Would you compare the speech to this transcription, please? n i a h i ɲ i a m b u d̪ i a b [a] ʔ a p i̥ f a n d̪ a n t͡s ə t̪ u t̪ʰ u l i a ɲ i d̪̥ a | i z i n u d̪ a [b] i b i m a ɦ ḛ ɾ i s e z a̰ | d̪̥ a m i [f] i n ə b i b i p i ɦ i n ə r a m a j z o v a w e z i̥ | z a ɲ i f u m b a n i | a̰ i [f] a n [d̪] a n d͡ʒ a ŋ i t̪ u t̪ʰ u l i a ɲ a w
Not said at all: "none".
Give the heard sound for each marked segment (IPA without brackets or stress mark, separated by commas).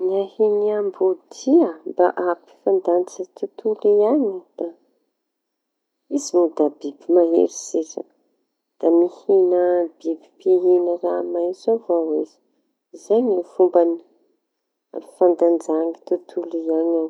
a, b, h, f, d̪